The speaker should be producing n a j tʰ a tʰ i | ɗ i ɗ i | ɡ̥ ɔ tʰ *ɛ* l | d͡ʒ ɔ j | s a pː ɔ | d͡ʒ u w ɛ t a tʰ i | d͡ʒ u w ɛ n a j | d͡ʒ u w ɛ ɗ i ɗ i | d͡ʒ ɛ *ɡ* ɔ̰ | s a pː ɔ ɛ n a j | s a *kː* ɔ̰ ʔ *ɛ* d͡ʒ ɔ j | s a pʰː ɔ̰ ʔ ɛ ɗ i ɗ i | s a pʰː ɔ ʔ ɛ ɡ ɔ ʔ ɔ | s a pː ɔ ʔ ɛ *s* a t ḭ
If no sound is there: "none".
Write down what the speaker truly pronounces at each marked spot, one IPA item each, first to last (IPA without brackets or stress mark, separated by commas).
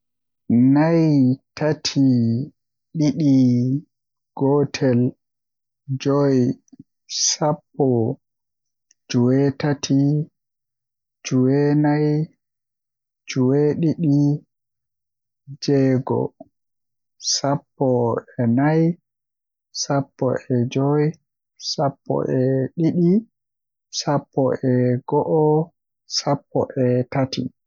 ɛ, ɡ, pː, ɛ, t